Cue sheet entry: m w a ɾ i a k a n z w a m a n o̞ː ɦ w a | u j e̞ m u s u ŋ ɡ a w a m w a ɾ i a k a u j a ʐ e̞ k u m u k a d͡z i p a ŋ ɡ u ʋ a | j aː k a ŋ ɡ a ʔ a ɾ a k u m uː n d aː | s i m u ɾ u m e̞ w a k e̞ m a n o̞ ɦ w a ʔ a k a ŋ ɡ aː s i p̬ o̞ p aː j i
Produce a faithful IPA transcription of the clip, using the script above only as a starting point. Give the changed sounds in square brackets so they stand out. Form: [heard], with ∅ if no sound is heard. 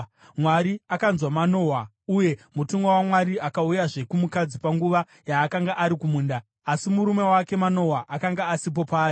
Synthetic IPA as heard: m w a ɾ i a k a n z w a m a n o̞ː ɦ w a | u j e̞ m u [t] u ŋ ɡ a w a m w a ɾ i a k a u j a ʐ e̞ k u m u k a d͡z i p a ŋ ɡ u ʋ a | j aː k a ŋ ɡ a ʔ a ɾ [i] k u m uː n d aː | s i m u ɾ u m e̞ w a k e̞ m a n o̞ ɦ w a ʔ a k a ŋ ɡ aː s i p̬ o̞ p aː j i